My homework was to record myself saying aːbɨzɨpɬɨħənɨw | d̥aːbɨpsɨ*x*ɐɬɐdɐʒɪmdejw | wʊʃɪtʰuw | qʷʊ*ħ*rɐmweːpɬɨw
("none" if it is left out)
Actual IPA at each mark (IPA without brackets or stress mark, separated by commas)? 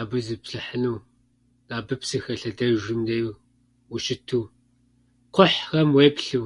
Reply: x, ħ